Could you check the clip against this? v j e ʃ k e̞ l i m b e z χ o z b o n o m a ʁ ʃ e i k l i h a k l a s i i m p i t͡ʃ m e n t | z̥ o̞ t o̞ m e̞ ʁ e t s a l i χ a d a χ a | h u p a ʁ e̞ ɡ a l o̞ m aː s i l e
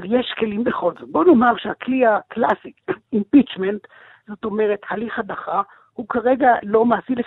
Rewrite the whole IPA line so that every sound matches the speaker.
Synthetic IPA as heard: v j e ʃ k e̞ l i m b e χ o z b o n o m a ʁ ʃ e a k l i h a k l a s i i m p i t͡ʃ m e n t | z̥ o̞ t o̞ m e̞ ʁ e t h a l i χ a d a χ a | h u k a ʁ e̞ ɡ a l o̞ m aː s i l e